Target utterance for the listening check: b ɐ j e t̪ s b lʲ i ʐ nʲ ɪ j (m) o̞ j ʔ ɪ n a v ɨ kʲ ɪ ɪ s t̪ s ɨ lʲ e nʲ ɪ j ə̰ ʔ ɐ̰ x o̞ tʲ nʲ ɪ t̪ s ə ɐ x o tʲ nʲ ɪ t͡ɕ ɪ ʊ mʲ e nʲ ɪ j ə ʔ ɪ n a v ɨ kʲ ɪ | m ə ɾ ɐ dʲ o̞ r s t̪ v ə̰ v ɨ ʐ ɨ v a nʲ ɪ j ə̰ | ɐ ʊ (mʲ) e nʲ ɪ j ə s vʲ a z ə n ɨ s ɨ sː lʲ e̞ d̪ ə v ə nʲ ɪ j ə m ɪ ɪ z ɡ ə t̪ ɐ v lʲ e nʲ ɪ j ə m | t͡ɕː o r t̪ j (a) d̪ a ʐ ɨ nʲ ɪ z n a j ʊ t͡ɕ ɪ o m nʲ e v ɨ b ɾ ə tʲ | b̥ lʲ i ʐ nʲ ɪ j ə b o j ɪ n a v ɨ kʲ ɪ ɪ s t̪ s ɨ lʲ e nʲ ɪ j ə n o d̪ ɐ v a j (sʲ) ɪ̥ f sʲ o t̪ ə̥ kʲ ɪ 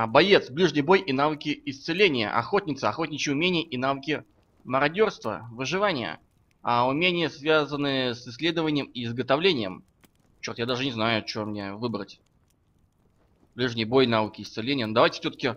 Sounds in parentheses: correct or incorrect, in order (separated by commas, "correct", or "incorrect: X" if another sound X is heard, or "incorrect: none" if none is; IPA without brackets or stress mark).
incorrect: b, correct, correct, incorrect: tʲ